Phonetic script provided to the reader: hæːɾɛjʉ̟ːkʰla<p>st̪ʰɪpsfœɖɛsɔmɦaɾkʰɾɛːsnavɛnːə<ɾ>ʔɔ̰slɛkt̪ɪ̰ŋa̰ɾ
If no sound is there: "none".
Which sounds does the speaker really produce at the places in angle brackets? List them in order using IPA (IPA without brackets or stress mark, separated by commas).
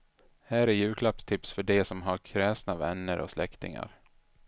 p, ɾ